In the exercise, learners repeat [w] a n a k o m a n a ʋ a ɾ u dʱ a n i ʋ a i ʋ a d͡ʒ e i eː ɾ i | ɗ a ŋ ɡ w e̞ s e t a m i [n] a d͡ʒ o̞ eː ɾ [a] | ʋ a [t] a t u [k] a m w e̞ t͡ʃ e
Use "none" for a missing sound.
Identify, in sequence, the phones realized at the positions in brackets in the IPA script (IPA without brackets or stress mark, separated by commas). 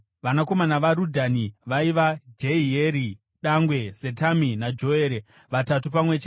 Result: ʋ, n, e, t, p